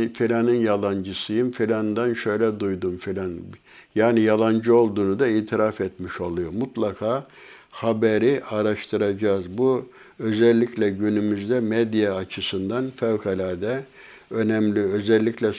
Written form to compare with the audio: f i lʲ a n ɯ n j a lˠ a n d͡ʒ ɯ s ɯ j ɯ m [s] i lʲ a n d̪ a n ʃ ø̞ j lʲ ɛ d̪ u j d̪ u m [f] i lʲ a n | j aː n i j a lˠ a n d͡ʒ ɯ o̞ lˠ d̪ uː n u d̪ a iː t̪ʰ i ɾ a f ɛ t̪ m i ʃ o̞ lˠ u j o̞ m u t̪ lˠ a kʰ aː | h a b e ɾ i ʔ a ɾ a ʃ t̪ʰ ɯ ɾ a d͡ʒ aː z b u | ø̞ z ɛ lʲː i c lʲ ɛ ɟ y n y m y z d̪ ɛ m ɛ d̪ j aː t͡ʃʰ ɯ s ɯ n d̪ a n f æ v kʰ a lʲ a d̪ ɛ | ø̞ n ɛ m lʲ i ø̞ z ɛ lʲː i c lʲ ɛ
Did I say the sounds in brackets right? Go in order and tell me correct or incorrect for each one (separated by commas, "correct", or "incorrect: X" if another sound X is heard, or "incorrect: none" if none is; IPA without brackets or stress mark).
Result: incorrect: f, correct